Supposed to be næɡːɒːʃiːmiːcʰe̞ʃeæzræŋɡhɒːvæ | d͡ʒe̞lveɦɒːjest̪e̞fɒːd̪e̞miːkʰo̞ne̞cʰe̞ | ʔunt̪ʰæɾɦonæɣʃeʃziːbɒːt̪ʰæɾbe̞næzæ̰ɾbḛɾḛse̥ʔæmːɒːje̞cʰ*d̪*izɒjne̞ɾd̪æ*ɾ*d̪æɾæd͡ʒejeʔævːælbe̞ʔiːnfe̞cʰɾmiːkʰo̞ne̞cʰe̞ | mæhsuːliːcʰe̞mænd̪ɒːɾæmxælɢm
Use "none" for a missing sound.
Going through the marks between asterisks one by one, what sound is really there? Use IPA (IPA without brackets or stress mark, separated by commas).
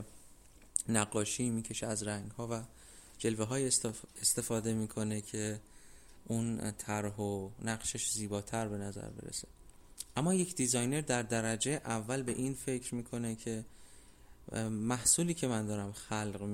d̪, ɾ